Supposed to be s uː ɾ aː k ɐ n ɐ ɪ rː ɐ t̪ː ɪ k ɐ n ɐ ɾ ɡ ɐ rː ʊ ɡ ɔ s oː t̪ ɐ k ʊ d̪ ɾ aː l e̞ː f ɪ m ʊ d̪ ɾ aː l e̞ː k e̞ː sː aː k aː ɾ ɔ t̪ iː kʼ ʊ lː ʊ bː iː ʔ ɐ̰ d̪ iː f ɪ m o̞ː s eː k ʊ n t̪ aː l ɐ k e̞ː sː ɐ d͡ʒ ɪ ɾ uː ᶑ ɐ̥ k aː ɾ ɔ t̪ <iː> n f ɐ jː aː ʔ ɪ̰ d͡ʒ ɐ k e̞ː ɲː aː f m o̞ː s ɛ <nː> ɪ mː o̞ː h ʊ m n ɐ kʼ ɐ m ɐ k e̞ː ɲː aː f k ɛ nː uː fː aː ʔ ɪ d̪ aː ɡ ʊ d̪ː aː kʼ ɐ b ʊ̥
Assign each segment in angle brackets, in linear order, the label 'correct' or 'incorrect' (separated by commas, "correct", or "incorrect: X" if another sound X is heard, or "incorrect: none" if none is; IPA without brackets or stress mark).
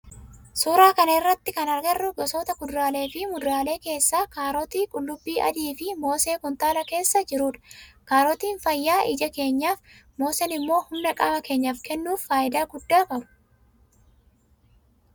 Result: correct, incorrect: n